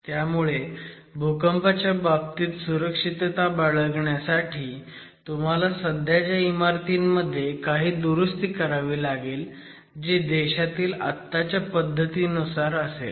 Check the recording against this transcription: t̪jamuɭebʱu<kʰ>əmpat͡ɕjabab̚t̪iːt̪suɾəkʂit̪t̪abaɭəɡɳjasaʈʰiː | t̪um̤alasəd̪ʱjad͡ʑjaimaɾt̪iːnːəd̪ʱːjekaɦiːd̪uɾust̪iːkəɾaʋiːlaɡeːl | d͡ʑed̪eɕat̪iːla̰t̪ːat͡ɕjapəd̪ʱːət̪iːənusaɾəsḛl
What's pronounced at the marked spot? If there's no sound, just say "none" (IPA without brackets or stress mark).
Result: k